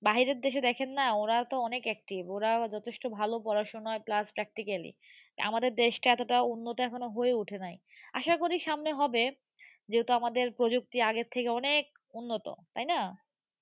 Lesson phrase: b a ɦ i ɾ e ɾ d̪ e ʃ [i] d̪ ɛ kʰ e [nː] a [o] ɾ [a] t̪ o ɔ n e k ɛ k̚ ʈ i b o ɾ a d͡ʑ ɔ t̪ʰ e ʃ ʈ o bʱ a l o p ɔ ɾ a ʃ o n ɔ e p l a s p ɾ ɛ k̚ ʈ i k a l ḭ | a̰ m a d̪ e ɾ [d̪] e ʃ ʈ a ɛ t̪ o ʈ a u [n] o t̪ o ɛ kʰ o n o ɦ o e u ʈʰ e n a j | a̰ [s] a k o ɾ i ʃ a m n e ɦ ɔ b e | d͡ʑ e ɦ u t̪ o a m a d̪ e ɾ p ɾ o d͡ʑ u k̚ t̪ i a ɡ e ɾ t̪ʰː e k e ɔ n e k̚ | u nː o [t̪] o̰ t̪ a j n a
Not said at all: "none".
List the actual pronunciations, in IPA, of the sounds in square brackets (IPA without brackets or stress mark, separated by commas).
e, nː, o, a, d̪, nː, ʃ, t̪